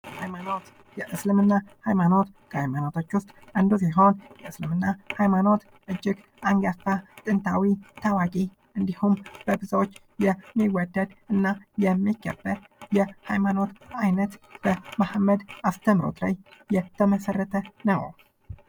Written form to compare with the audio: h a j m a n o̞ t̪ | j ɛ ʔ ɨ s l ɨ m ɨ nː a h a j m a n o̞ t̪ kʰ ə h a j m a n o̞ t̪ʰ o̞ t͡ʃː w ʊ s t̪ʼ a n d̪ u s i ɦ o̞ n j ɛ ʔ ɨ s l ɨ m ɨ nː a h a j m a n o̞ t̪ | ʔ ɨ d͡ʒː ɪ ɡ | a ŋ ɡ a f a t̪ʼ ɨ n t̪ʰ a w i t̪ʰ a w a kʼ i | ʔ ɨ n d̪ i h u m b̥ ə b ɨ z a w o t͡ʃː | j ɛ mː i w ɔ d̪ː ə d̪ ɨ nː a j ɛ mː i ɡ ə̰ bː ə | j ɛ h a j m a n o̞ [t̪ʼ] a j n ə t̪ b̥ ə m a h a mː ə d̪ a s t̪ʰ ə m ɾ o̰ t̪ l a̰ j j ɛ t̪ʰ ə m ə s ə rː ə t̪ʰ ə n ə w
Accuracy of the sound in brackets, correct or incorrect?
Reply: incorrect